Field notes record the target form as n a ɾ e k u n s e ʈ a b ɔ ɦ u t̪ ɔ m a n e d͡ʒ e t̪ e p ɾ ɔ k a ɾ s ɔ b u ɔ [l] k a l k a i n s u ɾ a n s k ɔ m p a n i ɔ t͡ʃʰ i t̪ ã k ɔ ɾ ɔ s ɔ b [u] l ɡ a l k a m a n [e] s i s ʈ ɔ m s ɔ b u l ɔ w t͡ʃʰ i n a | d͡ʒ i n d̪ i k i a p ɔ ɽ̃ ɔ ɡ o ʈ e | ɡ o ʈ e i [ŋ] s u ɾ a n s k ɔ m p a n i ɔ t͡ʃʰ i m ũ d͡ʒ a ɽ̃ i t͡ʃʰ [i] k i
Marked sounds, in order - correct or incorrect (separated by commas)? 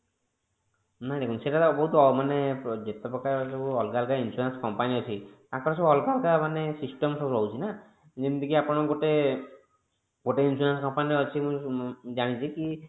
correct, incorrect, correct, incorrect, correct